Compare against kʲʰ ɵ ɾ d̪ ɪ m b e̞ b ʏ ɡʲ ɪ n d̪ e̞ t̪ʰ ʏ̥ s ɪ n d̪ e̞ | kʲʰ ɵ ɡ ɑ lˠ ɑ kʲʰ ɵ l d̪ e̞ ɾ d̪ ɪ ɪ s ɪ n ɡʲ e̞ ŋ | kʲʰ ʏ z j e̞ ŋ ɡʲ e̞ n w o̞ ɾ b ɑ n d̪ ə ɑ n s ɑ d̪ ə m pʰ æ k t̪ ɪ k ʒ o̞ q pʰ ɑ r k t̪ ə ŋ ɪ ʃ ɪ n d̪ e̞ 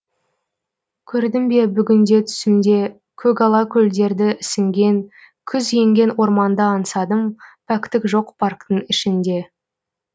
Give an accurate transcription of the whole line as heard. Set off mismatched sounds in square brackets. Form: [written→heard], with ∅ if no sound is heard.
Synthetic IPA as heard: kʲʰ ɵ ɾ d̪ ɪ m b e̞ b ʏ ɡʲ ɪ n d̪ e̞ t̪ʰ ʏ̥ s ɪ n d̪ e̞ | kʲʰ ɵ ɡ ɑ lˠ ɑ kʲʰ ɵ l d̪ e̞ ɾ d̪ ɪ ɪ s ɪ [n→ŋ] ɡʲ e̞ ŋ | kʲʰ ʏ z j e̞ ŋ ɡʲ e̞ n w o̞ ɾ [b→m] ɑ n d̪ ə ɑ n s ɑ d̪ ə m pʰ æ k t̪ ɪ k ʒ o̞ q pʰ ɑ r k t̪ ə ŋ ɪ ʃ ɪ n d̪ e̞